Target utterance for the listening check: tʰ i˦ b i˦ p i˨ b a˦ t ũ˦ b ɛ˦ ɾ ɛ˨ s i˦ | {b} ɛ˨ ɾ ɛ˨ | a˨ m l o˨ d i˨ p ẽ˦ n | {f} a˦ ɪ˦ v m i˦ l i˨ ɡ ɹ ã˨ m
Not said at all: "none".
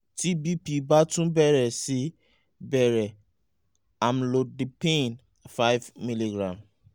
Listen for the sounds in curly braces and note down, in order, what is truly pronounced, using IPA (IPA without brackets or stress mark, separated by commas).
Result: b, f